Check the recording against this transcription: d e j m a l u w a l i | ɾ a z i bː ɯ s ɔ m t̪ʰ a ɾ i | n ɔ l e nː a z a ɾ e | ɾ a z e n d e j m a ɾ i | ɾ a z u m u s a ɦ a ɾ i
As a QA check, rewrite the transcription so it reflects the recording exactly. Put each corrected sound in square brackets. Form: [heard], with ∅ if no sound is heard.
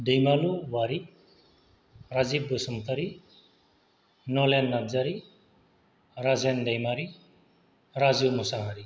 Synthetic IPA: d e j m a l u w a [ɾ] i | ɾ a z i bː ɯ s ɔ m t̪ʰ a ɾ i | n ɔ l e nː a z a ɾ [i] | ɾ a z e n d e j m a ɾ i | ɾ a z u m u s a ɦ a ɾ i